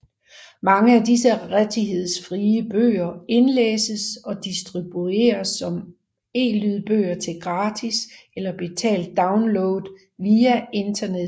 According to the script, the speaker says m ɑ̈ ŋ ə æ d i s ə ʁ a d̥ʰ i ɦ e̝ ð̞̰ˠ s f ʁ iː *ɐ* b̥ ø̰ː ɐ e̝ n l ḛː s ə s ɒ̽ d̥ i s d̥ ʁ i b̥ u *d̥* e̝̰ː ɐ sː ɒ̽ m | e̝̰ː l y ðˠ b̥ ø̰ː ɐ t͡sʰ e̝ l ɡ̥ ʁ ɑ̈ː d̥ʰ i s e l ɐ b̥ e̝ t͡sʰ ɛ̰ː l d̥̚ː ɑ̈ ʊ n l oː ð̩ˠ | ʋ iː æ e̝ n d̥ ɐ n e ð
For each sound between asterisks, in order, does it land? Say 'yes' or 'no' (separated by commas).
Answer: no, no